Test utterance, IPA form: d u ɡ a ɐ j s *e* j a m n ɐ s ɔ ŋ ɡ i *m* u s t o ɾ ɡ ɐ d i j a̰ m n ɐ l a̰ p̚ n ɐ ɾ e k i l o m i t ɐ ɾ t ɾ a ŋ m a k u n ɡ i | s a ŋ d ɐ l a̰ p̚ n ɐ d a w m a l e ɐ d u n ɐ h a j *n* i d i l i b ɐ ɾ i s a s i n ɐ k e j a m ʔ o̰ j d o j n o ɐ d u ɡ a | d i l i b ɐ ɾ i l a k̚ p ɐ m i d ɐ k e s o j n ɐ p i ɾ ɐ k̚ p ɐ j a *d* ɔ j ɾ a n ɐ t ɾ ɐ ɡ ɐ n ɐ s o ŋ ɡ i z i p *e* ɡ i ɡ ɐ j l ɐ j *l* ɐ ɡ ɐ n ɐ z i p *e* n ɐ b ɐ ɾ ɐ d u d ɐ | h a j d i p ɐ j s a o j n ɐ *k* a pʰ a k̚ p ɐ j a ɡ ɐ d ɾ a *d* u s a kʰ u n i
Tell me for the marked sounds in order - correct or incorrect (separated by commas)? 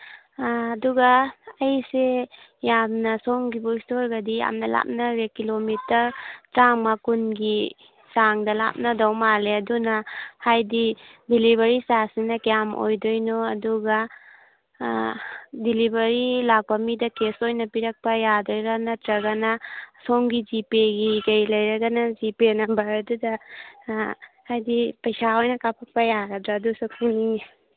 correct, incorrect, incorrect, correct, correct, incorrect, correct, correct, correct